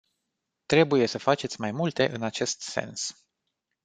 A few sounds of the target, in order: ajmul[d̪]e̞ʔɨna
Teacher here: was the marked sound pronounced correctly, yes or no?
no